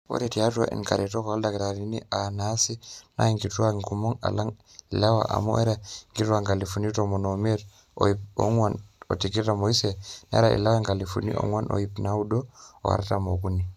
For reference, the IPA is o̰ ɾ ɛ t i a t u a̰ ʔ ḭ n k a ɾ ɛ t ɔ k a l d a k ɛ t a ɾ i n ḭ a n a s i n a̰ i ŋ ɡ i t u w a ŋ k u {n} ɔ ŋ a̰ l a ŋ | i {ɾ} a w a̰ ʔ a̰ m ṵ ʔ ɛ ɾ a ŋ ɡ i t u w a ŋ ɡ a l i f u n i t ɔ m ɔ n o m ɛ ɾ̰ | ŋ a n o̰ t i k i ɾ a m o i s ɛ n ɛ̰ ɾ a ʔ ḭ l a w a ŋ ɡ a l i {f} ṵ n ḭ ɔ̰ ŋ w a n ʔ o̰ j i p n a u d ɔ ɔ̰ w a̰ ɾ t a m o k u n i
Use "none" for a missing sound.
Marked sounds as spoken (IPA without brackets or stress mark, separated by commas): m, l, f